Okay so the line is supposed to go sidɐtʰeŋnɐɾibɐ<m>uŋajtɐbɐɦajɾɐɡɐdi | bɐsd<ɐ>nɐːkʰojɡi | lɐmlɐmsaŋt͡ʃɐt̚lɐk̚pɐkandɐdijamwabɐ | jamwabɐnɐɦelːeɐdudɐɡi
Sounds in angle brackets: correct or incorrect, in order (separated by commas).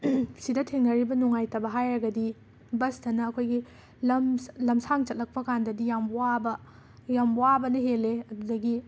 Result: incorrect, correct